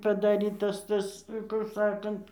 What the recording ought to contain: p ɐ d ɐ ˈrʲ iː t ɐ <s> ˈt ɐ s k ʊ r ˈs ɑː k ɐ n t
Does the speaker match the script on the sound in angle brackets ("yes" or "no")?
yes